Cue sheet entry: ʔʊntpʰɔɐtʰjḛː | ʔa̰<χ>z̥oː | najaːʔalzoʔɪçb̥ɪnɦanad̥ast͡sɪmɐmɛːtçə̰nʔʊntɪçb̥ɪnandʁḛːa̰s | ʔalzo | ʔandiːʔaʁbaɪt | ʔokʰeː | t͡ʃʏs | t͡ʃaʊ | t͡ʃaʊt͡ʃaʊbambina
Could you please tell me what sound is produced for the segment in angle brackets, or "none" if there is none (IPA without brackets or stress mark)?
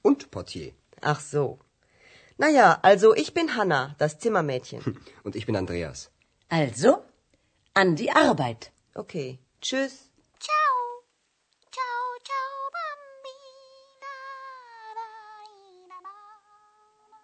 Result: χ